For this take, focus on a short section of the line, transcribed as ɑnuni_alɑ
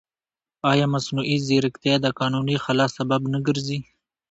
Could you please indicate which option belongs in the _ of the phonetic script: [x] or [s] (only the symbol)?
x